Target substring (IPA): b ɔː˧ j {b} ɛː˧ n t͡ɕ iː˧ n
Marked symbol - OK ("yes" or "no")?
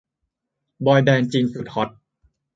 yes